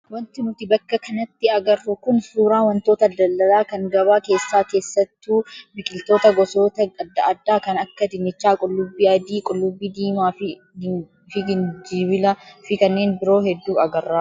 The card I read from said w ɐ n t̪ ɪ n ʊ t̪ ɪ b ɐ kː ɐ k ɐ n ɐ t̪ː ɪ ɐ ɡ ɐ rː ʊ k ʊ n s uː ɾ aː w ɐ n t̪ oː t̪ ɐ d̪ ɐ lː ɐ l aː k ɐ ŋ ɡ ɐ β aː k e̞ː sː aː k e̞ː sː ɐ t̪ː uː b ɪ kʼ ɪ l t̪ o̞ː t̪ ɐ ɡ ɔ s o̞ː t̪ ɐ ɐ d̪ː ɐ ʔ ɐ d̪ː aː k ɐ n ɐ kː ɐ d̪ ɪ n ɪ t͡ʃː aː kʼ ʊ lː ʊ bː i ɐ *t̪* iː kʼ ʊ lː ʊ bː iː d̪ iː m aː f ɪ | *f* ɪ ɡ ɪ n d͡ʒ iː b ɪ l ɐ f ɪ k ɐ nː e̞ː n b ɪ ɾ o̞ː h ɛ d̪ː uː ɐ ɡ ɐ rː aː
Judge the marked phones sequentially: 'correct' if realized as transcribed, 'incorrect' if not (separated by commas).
incorrect, correct